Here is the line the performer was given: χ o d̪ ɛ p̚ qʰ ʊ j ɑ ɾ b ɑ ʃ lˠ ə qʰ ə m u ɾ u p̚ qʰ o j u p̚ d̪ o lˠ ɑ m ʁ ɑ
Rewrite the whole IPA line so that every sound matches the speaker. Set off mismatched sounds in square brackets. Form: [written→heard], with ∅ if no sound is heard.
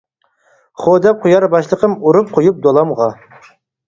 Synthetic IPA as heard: χ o d̪ ɛ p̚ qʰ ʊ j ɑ ɾ b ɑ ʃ lˠ ə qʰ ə m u ɾ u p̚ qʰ o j u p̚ d̪ o lˠ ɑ m ʁ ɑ